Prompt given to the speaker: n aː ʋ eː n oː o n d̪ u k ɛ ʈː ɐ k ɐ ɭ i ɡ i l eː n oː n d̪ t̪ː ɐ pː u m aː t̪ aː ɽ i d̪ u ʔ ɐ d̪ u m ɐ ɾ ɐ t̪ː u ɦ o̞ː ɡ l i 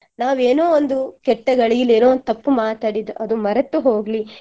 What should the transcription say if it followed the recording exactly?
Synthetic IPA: n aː ʋ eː n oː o n d̪ u k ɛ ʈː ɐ ɡ ɐ ɭ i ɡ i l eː n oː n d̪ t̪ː ɐ pː u m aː t̪ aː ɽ i d̪ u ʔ ɐ d̪ u m ɐ ɾ ɐ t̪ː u ɦ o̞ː ɡ l i

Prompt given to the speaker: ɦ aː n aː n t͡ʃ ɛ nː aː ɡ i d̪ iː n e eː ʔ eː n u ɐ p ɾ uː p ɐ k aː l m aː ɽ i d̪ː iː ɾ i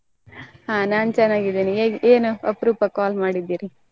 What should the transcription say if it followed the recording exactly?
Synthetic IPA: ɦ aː n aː n t͡ʃ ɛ nː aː ɡ i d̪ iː n i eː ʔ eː n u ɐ p ɾ uː p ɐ k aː l m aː ɽ i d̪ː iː ɾ i

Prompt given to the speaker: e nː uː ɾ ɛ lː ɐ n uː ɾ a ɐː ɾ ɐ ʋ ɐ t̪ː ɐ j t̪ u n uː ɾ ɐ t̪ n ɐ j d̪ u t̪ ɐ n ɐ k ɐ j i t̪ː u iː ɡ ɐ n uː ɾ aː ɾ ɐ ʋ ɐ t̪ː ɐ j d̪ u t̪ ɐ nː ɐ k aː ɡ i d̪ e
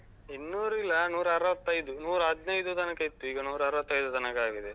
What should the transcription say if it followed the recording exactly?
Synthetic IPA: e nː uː ɾ i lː ɐ n uː ɾ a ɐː ɾ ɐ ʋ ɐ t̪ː ɐ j d̪ u n uː ɾ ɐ d̪ n ɐ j d̪ u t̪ ɐ n ɐ k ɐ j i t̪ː u iː ɡ ɐ n uː ɾ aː ɾ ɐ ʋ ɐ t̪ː ɐ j d̪ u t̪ ɐ n ɐ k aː ɡ i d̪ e

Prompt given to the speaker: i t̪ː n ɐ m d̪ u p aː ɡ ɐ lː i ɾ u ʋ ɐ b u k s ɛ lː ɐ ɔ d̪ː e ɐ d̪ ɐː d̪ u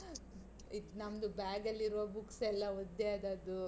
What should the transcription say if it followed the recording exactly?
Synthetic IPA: i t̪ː n ɐ m d̪ u b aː ɡ ɐ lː i ɾ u ʋ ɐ b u k s ɛ lː ɐ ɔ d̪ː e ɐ d̪ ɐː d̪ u

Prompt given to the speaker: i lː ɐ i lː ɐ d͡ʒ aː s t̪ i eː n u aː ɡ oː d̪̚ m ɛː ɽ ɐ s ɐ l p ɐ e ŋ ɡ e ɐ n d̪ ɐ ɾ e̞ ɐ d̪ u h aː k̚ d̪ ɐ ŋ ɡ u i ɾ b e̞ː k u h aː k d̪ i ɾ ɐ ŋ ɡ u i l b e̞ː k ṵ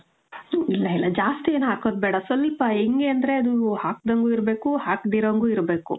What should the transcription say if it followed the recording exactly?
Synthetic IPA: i lː ɐ i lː ɐ d͡ʒ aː s t̪ i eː n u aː k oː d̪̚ b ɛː ɽ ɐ s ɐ l p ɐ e ŋ ɡ e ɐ n d̪ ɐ ɾ e̞ ɐ d̪ u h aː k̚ d̪ ɐ ŋ ɡ u i ɾ b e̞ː k u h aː k d̪ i ɾ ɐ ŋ ɡ u i ɾ b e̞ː k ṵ

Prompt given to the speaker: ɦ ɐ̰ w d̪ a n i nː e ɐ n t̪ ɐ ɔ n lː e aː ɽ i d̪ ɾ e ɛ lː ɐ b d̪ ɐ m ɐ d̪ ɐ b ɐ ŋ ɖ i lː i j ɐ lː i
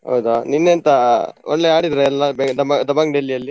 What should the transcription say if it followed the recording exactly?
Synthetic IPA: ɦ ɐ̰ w d̪ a n i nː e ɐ n t̪ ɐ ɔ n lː e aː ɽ i d̪ ɾ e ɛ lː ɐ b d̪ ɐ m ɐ d̪ ɐ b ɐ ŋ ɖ e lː i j ɐ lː i

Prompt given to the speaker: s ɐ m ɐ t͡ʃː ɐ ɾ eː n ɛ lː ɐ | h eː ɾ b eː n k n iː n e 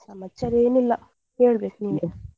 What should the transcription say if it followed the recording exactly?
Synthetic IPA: s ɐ m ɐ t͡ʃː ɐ ɾ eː n i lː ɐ | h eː ɭ b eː k n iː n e

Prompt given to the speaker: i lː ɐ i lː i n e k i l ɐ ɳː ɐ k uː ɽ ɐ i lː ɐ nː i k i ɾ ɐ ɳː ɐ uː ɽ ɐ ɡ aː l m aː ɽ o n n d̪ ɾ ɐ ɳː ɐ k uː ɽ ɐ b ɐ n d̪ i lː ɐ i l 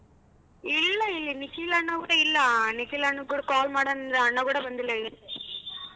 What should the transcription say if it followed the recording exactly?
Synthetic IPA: i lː ɐ i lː i n i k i l ɐ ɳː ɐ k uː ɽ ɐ i lː ɐ n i k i l ɐ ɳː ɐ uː ɽ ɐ k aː l m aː ɽ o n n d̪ ɾ ɐ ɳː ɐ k uː ɽ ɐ b ɐ n d̪ i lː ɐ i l

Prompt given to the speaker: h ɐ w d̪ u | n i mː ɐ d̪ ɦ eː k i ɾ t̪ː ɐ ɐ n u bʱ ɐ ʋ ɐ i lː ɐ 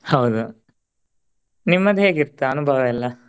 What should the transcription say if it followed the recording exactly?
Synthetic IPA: h ɐ w d̪ u | n i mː ɐ d̪ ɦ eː ɡ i ɾ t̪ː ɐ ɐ n u bʱ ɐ ʋ ɐ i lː ɐ

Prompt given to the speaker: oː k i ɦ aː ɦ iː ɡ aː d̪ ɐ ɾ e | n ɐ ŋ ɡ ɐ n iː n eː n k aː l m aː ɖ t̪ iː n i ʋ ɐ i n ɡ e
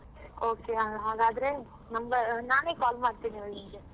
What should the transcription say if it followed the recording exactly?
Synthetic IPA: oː k e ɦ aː ɦ aː ɡ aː d̪ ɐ ɾ e | n ɐ m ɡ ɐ n aː n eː k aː l m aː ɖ t̪ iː n i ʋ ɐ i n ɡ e

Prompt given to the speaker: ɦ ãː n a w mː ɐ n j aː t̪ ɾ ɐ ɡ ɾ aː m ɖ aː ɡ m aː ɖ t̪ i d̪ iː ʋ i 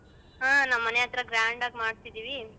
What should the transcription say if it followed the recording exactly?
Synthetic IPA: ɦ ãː n a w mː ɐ n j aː t̪ ɾ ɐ ɡ ɾ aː ɳ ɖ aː ɡ m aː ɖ t̪ i d̪ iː ʋ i

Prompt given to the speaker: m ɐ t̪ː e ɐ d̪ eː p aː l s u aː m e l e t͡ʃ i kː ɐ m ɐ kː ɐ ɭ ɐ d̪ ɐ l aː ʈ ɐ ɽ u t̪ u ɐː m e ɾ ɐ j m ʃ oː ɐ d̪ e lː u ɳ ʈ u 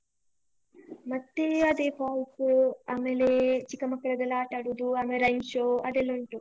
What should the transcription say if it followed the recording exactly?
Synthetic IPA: m ɐ t̪ː e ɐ d̪ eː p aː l s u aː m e l e t͡ʃ i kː ɐ m ɐ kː ɐ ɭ ɐ d̪ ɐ l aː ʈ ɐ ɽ u d̪ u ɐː m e ɾ ɐ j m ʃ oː ɐ d̪ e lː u ɳ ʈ u

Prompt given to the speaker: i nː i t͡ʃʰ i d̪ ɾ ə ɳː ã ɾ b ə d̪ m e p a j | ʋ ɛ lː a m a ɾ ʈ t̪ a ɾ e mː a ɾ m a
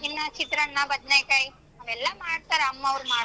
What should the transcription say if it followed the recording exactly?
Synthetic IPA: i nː a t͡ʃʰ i t̪ ɾ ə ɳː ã b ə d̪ n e k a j | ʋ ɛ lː a m a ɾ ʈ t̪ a ɾ a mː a ɾ m a

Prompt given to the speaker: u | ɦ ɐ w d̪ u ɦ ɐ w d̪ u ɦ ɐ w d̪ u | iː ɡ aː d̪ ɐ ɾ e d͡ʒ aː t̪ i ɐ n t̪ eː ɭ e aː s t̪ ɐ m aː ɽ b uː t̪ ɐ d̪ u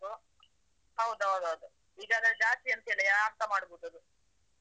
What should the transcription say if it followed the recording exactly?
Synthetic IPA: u | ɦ ɐ w d̪ u ɦ ɐ w d̪ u ɦ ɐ w d̪ u | iː ɡ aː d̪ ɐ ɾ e d͡ʒ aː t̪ i ɐ n t̪ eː ɭ i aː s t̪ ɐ m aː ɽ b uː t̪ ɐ d̪ u

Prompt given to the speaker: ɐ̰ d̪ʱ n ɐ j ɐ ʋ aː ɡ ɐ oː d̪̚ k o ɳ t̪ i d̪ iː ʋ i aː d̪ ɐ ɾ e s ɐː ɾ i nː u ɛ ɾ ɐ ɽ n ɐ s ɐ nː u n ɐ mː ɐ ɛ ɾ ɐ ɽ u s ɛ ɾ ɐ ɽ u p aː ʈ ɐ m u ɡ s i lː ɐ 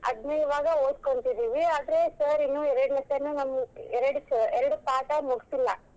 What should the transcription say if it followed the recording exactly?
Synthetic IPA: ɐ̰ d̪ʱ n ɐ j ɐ ʋ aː ɡ ɐ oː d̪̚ k o ɳ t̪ i d̪ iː ʋ i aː d̪ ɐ ɾ e s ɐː ɾ i nː u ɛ ɾ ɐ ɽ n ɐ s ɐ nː u n ɐ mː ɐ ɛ ɾ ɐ ɽ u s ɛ ɾ ɐ ɽ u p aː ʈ ɐ m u ɡ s i lː ɐ

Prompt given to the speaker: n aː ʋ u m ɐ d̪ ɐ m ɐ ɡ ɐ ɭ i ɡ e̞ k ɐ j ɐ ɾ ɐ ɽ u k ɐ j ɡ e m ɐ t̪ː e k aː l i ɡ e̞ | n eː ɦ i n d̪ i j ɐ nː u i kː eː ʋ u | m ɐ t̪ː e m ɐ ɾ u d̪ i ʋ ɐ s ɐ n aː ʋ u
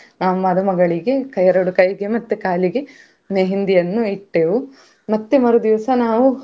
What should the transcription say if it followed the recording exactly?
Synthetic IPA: n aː ʋ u m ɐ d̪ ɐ m ɐ ɡ ɐ ɭ i ɡ e̞ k ɐ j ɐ ɾ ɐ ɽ u k ɐ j ɡ e m ɐ t̪ː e k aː l i ɡ e̞ | n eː ɦ i n d̪ i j ɐ nː u i ʈː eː ʋ u | m ɐ t̪ː e m ɐ ɾ u d̪ i ʋ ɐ s ɐ n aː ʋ u

